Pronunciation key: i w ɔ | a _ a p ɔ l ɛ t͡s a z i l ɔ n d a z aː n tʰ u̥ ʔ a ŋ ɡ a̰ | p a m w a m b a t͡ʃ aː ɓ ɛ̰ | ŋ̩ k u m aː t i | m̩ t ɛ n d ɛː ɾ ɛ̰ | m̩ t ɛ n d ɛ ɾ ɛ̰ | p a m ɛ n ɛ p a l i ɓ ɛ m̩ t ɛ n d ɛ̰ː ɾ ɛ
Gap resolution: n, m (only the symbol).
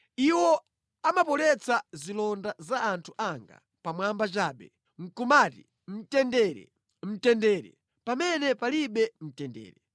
m